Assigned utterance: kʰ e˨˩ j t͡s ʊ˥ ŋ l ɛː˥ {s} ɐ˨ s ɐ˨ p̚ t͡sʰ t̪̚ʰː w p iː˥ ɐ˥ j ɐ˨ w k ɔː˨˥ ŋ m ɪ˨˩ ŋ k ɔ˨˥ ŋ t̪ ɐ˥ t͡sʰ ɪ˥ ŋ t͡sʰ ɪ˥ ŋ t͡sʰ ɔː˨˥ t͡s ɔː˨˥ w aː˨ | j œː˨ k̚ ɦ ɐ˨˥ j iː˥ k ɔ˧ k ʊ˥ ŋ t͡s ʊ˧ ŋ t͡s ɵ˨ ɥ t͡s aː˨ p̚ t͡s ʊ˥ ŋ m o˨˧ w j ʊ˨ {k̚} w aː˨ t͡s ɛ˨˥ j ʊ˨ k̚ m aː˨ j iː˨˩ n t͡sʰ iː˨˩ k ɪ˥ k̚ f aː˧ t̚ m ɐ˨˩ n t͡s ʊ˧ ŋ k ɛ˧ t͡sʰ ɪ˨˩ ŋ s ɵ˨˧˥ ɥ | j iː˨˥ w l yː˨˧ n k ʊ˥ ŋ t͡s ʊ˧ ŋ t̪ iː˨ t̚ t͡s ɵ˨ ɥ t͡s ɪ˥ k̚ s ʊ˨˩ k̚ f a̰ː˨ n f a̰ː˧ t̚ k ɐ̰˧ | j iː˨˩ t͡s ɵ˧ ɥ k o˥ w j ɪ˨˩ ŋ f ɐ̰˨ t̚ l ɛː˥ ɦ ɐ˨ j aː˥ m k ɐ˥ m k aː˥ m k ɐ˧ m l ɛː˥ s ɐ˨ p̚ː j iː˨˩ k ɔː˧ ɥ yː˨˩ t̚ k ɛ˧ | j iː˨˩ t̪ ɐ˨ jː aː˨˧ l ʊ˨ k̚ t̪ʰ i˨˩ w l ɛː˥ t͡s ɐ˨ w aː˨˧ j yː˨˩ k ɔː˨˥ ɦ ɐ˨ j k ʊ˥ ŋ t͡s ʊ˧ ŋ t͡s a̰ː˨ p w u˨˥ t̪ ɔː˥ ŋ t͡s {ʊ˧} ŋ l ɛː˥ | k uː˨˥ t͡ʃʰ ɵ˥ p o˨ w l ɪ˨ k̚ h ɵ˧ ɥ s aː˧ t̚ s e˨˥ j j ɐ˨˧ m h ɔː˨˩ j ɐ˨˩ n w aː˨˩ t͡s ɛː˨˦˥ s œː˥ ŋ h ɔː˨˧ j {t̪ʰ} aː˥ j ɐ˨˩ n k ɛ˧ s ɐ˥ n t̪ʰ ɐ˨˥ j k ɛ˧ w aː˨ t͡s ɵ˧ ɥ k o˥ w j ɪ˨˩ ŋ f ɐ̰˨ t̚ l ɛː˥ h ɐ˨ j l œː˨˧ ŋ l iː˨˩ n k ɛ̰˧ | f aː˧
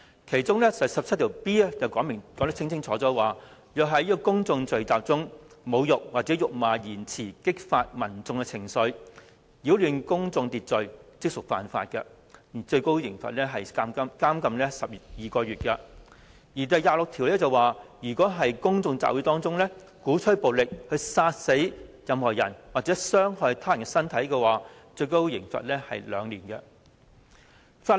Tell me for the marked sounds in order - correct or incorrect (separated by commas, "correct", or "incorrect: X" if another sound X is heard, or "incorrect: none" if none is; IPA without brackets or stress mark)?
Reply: correct, correct, incorrect: ʊ˥, correct